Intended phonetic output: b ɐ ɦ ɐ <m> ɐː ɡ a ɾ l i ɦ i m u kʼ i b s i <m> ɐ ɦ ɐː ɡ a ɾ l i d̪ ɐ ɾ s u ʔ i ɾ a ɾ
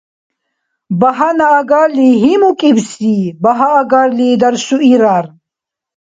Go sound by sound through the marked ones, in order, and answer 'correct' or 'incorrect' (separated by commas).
incorrect, incorrect